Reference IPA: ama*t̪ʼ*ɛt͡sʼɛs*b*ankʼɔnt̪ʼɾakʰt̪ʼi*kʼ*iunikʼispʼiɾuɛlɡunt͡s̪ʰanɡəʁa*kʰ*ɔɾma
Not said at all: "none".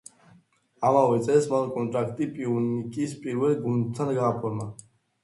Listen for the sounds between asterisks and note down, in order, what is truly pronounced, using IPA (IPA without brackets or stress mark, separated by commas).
none, m, pʼ, pʰ